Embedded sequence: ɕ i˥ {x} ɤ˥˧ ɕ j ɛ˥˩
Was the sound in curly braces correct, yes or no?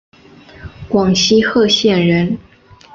yes